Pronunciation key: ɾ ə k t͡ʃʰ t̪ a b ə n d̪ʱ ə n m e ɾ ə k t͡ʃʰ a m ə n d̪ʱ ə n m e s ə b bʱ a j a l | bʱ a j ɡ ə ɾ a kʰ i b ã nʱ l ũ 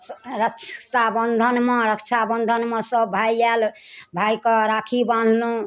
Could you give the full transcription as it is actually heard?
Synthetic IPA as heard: ɾ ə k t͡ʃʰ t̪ a b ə n d̪ʱ ə n m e ɾ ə k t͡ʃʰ a b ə n d̪ʱ ə n m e s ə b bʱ a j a l | bʱ a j k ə ɾ a kʰ i b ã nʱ l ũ